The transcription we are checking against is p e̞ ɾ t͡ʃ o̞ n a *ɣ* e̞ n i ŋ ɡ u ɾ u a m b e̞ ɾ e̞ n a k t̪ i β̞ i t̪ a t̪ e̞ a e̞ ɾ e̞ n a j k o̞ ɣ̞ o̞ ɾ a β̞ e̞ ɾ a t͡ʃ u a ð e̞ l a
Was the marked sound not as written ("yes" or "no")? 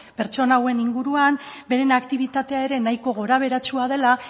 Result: yes